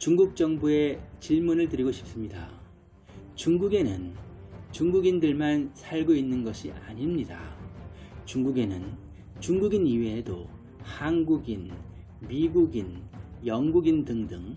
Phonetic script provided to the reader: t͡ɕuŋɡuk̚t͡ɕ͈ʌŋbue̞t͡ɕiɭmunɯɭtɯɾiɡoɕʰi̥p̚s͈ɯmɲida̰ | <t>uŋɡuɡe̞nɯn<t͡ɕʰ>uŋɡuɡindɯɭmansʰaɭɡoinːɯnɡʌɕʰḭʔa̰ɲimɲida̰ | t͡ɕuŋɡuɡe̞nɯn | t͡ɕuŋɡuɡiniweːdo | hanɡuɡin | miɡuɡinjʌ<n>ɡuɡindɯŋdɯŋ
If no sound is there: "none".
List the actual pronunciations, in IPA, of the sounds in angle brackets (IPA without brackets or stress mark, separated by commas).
t͡ɕ, t͡ɕ, ŋ